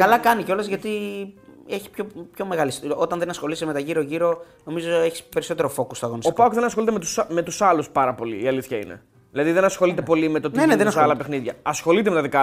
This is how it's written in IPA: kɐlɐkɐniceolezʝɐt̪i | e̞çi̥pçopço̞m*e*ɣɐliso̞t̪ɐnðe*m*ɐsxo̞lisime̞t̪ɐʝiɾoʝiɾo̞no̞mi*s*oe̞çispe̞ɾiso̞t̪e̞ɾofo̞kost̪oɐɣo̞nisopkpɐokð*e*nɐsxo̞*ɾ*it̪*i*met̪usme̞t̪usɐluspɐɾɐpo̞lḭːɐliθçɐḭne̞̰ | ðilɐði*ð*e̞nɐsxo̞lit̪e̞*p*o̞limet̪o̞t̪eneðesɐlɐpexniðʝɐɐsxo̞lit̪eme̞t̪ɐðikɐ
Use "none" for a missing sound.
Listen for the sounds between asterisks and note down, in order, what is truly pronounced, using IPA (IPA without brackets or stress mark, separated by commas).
e, n, z, e, l, e, ð, p